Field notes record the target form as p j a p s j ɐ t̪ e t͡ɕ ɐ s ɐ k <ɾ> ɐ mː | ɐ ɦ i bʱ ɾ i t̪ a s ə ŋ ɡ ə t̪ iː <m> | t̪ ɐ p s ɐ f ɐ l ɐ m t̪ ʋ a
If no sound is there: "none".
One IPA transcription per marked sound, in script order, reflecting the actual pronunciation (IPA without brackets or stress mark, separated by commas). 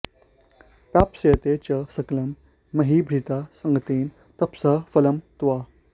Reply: l, n